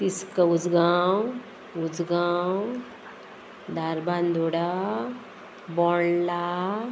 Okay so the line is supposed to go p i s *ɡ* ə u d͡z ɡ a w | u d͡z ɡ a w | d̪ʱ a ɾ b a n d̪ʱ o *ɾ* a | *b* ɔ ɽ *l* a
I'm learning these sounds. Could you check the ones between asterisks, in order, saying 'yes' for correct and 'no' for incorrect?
no, no, yes, yes

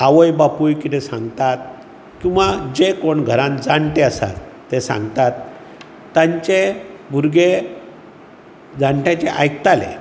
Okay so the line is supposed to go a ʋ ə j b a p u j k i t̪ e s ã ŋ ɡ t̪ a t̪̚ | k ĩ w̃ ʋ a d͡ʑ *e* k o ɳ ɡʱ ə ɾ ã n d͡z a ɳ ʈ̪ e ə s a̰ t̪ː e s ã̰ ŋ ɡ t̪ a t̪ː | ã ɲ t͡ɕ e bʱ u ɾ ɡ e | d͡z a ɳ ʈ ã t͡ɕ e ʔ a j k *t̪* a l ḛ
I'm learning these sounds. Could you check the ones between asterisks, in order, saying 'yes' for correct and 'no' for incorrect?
yes, yes

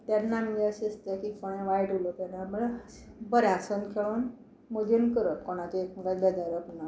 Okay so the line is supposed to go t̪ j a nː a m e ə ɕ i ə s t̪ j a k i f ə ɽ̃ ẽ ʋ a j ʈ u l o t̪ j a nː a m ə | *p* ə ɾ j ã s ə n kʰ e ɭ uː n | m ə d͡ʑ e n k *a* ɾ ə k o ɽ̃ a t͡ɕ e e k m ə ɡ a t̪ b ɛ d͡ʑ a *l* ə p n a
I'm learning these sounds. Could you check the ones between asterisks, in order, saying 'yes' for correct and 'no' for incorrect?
no, no, no

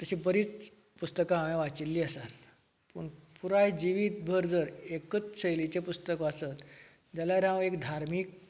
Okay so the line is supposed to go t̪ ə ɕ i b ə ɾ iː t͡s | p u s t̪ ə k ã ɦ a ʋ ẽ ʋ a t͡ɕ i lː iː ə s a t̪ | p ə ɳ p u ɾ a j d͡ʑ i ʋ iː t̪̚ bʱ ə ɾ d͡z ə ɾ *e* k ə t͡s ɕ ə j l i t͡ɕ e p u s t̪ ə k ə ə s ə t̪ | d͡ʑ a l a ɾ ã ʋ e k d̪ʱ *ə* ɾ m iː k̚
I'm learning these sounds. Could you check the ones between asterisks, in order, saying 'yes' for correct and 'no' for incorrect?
yes, no

